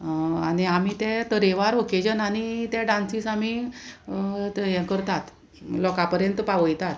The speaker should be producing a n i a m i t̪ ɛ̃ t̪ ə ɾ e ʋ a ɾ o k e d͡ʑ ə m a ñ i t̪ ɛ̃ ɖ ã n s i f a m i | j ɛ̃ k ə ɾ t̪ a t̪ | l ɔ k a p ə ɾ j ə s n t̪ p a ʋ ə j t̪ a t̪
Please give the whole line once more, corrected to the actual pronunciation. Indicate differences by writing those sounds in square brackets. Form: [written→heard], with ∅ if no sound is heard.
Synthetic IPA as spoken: a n i a m i t̪ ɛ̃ t̪ ə ɾ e ʋ a ɾ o k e d͡ʑ ə [m→n] a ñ i t̪ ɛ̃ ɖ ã n s i [f→s] a m i | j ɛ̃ k ə ɾ t̪ a t̪ | l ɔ k a p ə ɾ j ə [s→∅] n t̪ p a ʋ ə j t̪ a t̪